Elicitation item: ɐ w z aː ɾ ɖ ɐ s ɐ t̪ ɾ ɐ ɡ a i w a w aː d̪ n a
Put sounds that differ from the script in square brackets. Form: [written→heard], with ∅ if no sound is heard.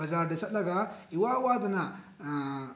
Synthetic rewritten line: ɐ [w→∅] z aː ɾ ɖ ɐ s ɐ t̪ [ɾ→l] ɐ ɡ a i w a w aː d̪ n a